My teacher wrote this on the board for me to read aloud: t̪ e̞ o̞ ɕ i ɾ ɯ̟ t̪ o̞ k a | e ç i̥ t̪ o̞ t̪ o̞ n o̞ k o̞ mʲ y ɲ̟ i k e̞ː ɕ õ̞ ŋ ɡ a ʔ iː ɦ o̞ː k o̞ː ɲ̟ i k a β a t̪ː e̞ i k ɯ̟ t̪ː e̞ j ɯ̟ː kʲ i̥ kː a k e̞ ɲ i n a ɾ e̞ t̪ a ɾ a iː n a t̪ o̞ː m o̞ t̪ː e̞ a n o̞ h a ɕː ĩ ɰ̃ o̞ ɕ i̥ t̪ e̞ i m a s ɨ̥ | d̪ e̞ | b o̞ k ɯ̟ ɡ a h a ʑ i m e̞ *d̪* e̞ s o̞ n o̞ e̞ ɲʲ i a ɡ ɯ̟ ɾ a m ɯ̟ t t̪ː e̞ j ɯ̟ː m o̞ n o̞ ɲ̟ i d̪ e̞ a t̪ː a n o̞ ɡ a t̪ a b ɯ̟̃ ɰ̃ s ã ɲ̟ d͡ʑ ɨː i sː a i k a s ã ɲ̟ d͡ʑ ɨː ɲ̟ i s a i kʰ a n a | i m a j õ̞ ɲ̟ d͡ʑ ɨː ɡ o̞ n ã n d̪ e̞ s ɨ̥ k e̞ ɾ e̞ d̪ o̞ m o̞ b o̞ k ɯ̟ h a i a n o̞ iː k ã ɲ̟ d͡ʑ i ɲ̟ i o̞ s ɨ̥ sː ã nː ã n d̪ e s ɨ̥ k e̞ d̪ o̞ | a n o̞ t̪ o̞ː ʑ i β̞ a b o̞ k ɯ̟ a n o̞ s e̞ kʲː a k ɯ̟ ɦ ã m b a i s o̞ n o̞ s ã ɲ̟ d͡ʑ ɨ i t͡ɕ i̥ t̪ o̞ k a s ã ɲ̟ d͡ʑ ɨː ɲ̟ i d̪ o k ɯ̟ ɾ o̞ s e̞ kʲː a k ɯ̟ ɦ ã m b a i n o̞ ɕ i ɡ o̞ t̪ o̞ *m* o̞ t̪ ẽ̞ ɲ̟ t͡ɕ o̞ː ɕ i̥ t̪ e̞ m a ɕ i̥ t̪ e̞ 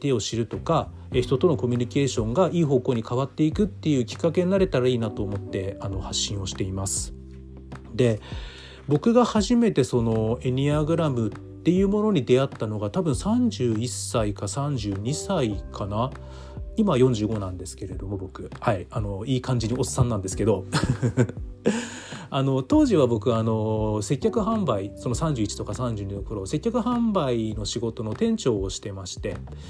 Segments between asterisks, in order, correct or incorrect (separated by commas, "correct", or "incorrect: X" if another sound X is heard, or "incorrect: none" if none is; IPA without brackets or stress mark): incorrect: t̪, incorrect: n